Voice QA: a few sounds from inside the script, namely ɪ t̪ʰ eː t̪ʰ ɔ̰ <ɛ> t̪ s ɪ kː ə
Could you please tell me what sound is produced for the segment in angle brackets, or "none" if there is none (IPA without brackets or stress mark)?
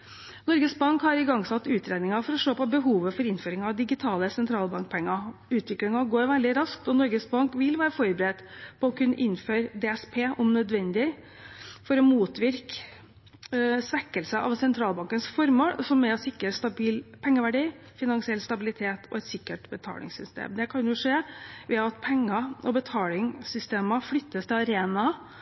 ɛ